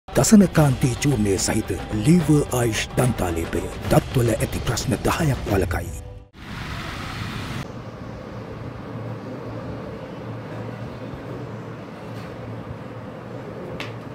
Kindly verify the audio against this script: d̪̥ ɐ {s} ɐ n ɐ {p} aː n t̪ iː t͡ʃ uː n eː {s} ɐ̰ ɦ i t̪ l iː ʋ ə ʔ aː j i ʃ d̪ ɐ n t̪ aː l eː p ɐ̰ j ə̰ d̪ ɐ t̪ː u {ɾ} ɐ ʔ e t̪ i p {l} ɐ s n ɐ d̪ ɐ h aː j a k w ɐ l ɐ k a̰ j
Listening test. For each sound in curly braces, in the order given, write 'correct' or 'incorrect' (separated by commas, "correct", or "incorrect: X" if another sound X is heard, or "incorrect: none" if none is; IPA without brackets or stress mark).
correct, incorrect: k, correct, incorrect: l, incorrect: ɾ